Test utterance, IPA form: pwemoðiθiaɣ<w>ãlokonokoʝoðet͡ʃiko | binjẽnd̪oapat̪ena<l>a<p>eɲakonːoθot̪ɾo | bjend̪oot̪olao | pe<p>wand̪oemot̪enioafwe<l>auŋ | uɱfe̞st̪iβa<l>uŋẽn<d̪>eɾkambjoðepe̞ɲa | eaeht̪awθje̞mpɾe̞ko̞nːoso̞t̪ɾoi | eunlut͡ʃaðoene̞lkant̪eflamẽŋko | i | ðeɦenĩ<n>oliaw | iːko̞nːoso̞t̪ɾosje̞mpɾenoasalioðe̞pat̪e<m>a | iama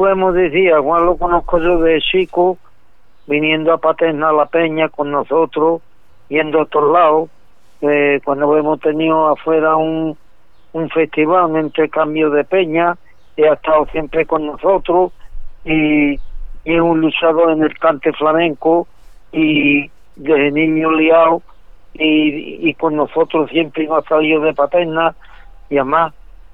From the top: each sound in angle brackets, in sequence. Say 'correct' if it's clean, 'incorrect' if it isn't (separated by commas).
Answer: correct, correct, correct, incorrect, incorrect, correct, incorrect, incorrect, incorrect